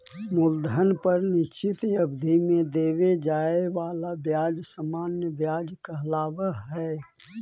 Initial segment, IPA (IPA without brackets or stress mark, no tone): m